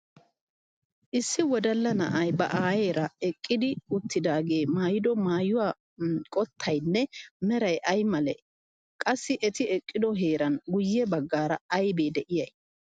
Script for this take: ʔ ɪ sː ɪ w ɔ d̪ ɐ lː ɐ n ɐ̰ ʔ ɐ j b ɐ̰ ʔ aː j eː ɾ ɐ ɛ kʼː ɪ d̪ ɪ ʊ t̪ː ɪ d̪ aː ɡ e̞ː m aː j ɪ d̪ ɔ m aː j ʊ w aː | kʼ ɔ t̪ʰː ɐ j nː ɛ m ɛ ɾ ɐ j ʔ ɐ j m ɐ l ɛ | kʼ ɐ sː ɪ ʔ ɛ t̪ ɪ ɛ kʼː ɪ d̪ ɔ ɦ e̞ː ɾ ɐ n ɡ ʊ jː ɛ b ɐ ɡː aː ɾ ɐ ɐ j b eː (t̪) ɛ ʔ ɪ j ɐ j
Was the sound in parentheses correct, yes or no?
no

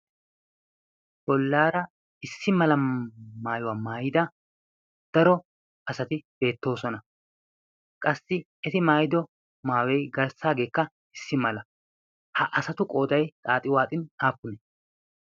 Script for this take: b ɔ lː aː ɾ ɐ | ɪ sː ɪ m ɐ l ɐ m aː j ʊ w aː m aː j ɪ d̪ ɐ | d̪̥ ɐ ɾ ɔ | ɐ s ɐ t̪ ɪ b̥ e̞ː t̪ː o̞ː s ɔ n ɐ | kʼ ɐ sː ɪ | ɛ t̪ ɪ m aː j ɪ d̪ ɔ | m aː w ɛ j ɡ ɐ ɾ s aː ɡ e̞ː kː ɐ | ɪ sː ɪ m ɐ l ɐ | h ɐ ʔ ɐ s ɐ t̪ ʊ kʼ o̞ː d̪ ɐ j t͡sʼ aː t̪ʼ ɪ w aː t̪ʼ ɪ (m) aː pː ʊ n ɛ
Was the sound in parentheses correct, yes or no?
no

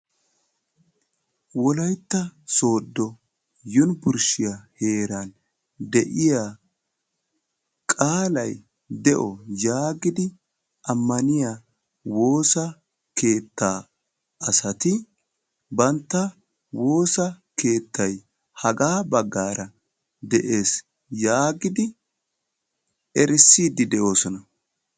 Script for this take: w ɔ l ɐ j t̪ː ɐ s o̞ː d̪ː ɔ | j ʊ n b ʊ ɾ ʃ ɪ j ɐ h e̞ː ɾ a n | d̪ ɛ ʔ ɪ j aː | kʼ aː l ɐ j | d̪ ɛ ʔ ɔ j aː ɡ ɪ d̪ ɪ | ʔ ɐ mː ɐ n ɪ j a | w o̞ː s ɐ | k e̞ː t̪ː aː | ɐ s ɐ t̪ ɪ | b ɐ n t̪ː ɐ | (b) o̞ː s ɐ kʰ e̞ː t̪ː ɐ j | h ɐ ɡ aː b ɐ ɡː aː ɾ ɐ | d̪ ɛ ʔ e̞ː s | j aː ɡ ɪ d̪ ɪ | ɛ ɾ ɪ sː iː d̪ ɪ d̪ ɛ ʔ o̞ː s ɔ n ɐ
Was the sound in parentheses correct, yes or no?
no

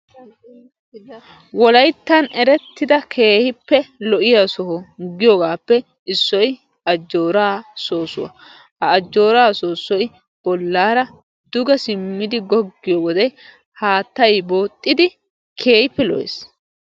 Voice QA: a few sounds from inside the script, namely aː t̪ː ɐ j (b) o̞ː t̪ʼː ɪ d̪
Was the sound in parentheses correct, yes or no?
yes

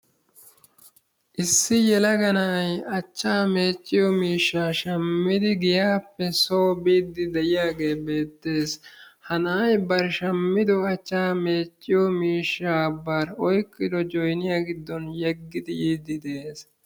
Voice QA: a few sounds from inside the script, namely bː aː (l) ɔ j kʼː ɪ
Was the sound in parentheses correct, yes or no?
no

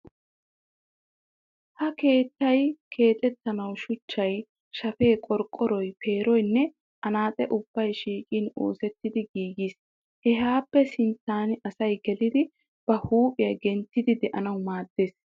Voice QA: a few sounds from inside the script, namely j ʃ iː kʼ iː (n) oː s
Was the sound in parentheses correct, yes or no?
yes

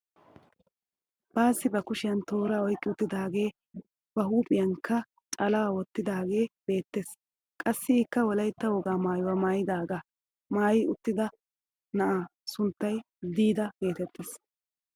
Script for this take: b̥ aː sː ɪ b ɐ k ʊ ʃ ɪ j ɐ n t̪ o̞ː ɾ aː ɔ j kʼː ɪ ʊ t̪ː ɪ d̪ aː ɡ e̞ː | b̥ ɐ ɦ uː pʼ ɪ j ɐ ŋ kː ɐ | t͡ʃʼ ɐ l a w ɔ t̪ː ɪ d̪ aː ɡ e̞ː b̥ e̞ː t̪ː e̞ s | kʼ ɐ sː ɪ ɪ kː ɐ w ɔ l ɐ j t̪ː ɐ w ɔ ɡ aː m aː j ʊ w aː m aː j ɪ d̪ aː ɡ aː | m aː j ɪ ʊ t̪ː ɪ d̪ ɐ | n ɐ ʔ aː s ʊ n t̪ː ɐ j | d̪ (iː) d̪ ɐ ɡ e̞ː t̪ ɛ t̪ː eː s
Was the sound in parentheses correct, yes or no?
yes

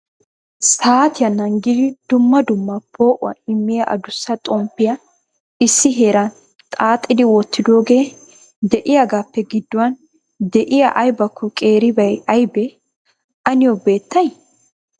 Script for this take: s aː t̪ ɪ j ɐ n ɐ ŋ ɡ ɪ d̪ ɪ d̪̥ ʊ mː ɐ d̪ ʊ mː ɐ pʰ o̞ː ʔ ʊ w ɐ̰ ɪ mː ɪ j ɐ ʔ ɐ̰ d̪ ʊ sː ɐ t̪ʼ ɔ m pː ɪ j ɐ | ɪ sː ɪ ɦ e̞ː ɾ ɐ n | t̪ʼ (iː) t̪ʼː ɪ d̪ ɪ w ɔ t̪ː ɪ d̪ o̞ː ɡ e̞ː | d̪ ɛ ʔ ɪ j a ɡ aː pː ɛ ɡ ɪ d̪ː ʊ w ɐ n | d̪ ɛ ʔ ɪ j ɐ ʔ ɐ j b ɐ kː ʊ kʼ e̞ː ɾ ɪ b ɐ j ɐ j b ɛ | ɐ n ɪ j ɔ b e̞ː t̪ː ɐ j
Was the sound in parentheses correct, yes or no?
no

